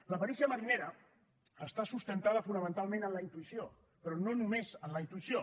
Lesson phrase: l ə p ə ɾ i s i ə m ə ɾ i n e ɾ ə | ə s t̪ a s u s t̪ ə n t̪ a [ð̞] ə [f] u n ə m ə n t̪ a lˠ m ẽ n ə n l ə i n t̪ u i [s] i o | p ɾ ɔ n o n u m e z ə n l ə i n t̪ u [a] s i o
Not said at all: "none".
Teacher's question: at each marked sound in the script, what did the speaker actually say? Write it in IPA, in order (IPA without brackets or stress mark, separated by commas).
ð̞, f, s, i